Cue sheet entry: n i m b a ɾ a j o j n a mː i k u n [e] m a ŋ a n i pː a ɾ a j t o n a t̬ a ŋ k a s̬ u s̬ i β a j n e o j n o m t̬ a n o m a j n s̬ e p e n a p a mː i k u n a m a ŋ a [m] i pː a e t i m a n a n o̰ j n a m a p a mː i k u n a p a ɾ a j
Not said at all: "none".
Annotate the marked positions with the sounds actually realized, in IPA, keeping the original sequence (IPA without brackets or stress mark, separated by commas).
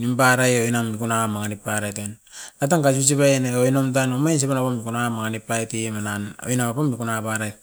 a, n